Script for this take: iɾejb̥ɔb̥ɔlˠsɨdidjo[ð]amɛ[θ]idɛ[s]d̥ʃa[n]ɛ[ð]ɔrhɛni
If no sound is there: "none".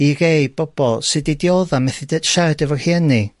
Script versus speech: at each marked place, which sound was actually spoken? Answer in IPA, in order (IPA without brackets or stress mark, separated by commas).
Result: ð, θ, none, d, v